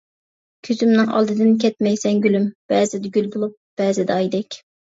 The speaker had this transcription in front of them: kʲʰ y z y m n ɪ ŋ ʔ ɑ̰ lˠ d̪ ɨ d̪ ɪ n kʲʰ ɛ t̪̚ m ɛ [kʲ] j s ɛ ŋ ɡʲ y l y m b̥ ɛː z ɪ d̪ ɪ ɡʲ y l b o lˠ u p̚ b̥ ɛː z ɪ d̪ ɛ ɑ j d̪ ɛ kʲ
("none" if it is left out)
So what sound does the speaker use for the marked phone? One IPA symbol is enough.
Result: none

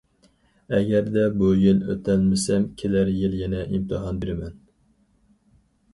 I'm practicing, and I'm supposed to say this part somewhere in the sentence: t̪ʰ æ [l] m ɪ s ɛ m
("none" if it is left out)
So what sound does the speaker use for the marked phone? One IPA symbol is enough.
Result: l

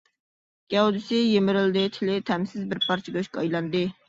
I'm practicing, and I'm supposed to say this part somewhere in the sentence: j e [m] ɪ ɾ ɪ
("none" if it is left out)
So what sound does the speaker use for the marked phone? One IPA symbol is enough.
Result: m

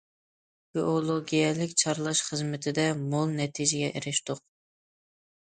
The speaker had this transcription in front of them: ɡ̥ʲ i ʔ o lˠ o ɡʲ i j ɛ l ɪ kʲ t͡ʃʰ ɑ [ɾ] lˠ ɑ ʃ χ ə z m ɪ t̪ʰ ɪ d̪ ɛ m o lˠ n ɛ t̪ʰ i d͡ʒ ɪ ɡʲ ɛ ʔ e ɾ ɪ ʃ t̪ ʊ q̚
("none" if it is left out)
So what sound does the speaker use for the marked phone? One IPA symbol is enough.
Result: ɾ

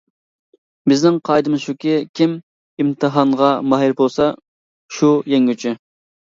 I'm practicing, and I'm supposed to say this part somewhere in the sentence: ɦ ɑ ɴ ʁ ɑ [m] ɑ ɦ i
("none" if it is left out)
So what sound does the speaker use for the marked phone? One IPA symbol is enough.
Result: m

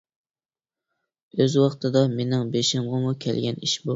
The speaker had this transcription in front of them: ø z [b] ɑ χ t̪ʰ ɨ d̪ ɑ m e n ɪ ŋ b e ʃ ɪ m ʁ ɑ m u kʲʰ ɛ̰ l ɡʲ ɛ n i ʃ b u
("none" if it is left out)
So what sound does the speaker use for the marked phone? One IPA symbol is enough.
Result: w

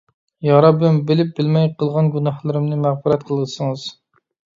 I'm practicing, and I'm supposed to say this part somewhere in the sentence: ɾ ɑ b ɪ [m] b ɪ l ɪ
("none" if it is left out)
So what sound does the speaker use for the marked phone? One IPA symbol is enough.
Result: m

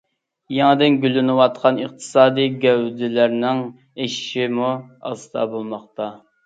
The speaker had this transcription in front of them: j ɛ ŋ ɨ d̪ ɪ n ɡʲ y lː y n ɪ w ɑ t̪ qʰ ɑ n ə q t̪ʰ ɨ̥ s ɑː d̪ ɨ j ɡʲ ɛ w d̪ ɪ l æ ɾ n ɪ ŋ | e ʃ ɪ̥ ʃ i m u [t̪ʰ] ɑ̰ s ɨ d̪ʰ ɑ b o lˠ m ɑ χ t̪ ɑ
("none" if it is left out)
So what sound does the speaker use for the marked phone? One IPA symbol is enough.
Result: none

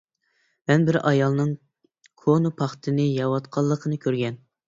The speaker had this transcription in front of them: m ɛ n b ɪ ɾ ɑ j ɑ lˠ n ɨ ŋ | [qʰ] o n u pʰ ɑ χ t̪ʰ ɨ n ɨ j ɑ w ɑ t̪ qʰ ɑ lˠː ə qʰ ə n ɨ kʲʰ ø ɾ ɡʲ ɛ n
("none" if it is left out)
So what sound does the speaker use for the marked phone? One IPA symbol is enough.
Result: kʰ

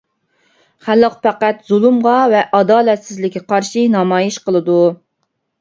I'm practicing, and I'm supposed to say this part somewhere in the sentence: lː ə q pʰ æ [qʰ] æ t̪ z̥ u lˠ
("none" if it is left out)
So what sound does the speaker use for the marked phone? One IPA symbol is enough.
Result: q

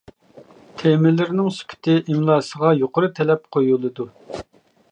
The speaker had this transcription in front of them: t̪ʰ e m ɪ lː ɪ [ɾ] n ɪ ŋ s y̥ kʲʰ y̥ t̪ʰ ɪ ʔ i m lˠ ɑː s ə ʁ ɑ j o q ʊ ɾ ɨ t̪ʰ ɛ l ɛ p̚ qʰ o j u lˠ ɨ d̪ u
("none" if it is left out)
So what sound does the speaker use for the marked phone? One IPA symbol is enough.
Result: ɾ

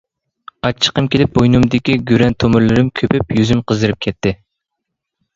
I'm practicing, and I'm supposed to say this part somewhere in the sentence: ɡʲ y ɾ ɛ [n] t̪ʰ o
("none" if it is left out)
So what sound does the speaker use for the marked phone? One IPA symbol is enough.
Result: n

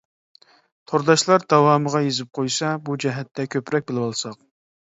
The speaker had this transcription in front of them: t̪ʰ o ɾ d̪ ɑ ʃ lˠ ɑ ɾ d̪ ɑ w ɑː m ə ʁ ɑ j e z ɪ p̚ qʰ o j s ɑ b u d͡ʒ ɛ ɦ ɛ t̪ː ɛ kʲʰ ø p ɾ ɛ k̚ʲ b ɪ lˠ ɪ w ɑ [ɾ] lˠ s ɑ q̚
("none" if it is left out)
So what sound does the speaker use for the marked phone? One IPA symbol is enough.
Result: none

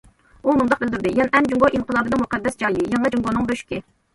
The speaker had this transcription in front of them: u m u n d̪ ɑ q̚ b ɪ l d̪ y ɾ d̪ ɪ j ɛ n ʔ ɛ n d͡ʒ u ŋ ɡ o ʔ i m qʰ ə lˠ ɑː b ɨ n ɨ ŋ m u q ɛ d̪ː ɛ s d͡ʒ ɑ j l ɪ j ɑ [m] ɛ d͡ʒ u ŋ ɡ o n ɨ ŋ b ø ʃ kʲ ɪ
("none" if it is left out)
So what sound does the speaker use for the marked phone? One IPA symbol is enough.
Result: ŋ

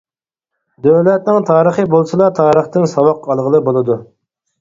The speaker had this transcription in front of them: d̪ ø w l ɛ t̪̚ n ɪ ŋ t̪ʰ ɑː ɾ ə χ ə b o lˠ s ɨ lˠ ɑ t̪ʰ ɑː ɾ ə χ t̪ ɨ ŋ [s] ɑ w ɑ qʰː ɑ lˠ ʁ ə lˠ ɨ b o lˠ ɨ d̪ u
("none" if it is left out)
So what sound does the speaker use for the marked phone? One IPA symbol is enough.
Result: s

